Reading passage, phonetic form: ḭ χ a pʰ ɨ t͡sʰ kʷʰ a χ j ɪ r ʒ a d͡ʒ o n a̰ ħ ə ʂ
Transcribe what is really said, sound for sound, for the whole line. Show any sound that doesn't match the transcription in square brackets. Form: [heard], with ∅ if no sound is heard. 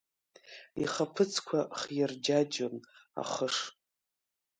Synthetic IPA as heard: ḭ χ a pʰ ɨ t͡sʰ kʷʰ a χ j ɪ r [d͡ʒ] a d͡ʒ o n a̰ [χ] ə ʂ